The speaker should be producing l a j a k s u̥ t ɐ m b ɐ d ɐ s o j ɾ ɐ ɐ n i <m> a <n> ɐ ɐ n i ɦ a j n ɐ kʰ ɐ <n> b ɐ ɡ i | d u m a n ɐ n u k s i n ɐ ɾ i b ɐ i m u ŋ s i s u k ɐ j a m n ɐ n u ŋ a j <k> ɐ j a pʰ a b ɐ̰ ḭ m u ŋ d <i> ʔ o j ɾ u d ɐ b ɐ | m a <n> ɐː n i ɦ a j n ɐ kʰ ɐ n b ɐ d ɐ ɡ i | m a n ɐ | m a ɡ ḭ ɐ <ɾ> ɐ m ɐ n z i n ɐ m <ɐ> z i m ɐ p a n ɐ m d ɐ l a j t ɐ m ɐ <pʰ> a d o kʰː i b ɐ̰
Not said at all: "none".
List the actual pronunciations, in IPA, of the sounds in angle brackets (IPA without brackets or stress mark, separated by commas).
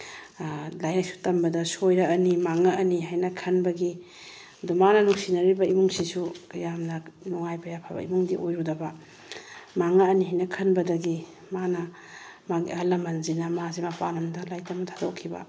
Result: m, ŋ, n, p, i, ŋ, l, a, tʰ